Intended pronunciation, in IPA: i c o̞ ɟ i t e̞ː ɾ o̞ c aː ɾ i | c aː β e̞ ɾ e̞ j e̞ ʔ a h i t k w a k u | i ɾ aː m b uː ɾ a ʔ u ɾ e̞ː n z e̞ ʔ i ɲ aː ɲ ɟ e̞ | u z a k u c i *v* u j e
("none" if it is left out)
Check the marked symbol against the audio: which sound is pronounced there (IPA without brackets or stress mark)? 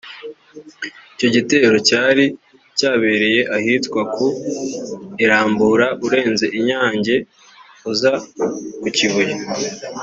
β